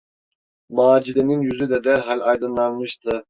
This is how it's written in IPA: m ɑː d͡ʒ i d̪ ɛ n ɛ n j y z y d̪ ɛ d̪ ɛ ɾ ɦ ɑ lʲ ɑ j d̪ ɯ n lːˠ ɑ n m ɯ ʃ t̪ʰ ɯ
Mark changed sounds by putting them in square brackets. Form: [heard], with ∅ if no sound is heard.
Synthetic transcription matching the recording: m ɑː d͡ʒ i d̪ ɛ n [i] n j y z y d̪ ɛ d̪ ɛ ɾ ɦ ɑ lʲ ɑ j d̪ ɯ n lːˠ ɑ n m ɯ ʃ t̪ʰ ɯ